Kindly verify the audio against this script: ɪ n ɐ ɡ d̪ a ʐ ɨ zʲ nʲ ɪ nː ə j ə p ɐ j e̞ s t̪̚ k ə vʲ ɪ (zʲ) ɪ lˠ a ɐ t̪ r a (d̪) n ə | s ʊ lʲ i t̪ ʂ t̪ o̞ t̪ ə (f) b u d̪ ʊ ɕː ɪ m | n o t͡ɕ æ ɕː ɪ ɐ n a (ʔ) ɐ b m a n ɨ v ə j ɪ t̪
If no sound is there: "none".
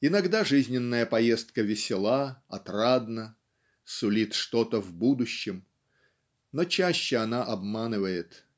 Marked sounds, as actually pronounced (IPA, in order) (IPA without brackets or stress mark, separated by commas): sʲ, d̪, v, ʔ